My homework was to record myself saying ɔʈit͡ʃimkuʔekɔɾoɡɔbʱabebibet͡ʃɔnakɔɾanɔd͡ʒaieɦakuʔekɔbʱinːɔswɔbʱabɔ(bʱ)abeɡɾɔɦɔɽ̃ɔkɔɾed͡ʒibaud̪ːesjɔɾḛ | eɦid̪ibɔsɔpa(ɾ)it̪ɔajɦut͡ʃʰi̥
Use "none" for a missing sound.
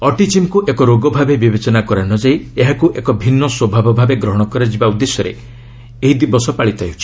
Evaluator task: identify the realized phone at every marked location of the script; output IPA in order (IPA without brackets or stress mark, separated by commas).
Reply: bʱ, ɭ